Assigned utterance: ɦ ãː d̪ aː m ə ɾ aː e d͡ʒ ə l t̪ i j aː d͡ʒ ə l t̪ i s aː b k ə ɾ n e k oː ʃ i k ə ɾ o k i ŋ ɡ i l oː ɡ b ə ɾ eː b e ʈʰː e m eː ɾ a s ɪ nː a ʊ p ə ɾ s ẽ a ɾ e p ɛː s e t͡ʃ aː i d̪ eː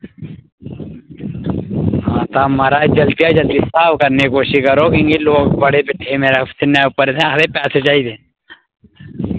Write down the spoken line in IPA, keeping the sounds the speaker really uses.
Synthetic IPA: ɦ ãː t̪ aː m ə ɾ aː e d͡ʒ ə l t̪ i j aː d͡ʒ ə l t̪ i s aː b k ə ɾ n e k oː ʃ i k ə ɾ o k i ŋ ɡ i l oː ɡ b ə ɽ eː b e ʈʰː e m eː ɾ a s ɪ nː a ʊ p ə ɾ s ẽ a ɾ e p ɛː s e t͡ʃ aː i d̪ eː